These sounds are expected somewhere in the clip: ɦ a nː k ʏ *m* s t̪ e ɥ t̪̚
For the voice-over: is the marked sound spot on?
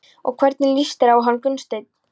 no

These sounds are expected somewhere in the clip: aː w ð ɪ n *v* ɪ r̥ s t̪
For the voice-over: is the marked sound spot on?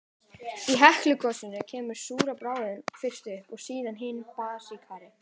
no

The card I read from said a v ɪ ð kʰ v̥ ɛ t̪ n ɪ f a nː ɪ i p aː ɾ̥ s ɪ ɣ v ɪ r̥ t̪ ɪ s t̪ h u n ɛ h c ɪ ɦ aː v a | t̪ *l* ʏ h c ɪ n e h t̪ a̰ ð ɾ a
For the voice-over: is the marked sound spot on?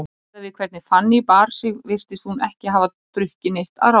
no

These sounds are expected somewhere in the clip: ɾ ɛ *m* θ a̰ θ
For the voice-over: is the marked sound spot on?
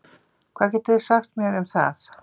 yes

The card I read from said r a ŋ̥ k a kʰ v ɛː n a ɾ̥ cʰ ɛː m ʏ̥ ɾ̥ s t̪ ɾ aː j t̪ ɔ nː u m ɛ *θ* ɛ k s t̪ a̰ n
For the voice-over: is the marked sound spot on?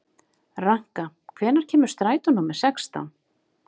no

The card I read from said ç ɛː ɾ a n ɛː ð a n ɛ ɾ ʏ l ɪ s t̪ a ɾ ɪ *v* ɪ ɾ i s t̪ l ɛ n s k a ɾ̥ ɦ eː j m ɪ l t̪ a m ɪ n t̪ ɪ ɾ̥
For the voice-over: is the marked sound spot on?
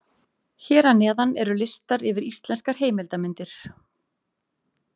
yes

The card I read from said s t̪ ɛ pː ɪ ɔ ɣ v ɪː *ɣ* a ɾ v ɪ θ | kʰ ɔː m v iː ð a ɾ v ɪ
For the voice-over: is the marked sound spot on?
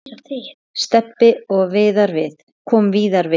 no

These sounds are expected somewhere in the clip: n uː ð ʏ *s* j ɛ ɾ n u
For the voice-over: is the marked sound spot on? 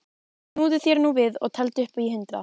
no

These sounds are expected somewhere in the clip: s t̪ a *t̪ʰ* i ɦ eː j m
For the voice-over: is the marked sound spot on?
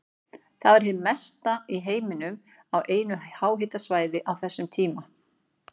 no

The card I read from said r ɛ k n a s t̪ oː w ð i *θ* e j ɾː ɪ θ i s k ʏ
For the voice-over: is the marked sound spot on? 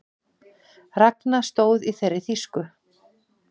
yes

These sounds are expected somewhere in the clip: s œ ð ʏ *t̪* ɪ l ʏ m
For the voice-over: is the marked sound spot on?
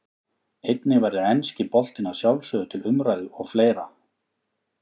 no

